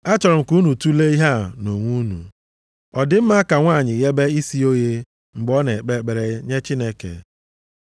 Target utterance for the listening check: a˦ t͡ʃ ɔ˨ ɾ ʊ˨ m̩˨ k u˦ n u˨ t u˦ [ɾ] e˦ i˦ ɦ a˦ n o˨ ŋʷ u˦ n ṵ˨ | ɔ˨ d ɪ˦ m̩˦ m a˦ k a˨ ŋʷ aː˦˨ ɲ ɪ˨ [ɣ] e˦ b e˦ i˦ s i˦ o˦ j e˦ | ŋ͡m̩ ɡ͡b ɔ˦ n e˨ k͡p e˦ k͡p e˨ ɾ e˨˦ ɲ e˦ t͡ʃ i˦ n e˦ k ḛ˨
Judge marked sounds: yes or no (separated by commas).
no, yes